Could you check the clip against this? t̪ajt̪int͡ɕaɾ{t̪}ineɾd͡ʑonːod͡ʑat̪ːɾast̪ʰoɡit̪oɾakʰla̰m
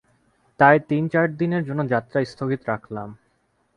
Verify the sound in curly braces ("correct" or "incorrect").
incorrect